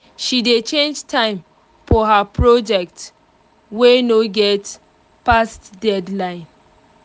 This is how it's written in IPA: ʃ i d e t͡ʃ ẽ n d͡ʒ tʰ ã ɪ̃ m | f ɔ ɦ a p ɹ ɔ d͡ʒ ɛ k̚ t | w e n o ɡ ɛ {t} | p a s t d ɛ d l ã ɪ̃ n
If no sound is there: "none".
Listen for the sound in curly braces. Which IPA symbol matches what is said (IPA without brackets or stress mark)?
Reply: t